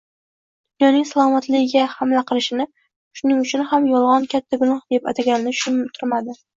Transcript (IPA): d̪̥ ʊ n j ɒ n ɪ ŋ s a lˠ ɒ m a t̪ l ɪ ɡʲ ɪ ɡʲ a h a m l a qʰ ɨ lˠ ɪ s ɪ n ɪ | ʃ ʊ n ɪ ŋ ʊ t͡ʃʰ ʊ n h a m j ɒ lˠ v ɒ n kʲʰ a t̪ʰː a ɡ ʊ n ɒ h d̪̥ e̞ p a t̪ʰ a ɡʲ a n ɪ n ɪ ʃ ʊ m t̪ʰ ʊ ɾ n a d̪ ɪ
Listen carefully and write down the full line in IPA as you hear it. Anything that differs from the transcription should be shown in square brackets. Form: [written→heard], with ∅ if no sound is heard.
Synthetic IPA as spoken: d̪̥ ʊ n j ɒ n ɪ ŋ s a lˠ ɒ m a t̪ l ɪ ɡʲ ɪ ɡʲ a h a m l a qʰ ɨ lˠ ɪ [s→ʃ] ɪ n ɪ | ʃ ʊ n ɪ ŋ ʊ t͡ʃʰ ʊ n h a m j ɒ lˠ [v→ʁ] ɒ n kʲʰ a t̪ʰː a ɡ ʊ n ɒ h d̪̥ e̞ p a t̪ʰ a ɡʲ a n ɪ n ɪ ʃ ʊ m t̪ʰ ʊ ɾ [n→m] a d̪ ɪ